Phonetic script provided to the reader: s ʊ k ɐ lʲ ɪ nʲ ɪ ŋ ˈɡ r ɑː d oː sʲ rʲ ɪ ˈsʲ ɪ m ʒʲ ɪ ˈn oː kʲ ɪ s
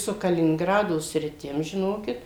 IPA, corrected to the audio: s ʊ k ɐ lʲ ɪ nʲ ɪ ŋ ˈɡ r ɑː d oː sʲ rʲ ɪ ˈtʲ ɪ m ʒʲ ɪ ˈn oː kʲ ɪ t